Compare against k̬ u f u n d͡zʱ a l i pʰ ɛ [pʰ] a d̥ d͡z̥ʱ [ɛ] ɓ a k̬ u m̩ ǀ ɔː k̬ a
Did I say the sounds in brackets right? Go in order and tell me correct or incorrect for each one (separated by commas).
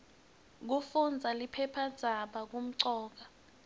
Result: correct, incorrect